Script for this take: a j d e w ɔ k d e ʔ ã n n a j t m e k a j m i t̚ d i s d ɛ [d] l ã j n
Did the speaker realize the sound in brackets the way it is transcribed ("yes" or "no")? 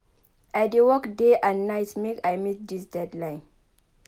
yes